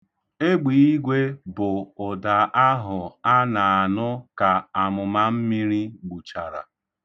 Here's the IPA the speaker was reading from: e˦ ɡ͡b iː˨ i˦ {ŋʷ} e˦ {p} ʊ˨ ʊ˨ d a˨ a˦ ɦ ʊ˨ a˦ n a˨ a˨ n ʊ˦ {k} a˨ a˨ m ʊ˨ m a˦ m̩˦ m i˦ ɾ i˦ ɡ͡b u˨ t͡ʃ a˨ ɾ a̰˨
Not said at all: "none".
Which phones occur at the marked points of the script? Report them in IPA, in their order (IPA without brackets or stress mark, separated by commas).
ɡʷ, b, k